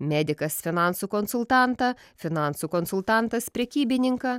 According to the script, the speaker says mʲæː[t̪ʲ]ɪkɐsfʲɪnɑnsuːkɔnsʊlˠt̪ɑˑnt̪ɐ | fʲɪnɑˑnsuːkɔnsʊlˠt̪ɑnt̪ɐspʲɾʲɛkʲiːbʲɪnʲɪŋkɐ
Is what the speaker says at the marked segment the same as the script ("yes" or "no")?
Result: no